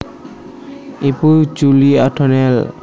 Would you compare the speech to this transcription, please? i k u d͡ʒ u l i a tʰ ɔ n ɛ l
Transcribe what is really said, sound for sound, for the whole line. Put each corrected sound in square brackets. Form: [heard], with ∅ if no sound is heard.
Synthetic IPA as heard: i [p] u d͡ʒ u l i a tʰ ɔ n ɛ l